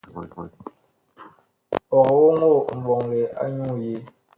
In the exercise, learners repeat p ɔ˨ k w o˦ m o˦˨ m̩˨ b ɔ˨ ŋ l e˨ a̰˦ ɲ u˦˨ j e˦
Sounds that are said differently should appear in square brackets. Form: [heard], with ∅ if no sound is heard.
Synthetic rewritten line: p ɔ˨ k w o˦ [ŋ] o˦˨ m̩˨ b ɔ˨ ŋ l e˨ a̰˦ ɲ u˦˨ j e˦